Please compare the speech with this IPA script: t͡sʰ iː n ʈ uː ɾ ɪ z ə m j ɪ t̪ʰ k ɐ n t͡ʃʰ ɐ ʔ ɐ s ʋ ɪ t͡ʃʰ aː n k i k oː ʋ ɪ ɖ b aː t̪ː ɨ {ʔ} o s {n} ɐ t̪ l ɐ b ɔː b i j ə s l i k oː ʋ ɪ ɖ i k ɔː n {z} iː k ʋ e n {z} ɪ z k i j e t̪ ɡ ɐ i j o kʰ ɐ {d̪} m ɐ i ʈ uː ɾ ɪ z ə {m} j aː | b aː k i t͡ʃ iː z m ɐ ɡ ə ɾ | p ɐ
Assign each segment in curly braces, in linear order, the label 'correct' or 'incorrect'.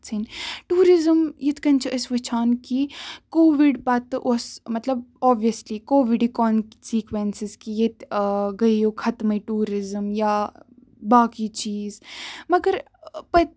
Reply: correct, incorrect: m, incorrect: s, incorrect: s, incorrect: t̪, correct

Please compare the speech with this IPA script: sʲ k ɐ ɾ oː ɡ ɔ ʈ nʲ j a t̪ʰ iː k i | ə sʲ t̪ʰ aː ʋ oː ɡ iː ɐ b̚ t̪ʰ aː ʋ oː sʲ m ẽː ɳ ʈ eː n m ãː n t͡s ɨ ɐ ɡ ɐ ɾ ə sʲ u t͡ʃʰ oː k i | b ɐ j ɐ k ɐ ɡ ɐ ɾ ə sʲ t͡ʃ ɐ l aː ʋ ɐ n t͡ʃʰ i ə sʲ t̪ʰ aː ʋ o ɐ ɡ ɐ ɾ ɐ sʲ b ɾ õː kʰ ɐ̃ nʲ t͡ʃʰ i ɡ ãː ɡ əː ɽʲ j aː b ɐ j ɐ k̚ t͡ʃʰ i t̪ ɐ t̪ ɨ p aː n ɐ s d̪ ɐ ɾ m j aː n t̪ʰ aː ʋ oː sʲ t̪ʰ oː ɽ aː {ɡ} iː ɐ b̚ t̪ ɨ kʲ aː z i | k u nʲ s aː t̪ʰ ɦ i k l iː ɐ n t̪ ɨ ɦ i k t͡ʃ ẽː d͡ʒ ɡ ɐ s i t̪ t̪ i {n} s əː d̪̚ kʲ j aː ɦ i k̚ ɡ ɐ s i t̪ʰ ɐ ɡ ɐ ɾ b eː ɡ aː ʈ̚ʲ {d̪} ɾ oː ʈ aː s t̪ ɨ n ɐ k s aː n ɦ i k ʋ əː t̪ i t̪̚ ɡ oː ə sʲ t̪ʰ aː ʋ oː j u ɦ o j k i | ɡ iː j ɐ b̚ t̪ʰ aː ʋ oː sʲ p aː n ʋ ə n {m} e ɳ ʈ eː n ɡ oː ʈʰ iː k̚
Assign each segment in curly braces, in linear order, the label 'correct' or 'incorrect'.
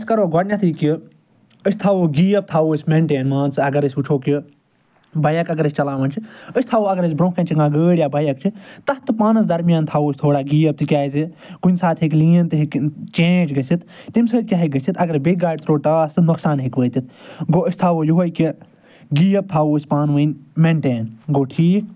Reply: correct, incorrect: m, incorrect: t̪, correct

